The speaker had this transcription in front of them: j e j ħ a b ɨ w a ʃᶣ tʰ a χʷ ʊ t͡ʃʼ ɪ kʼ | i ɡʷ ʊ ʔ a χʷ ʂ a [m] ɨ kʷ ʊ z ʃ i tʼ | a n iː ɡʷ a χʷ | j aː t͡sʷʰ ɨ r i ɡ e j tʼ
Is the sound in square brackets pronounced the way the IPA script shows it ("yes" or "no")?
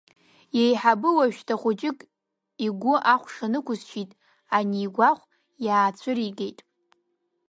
no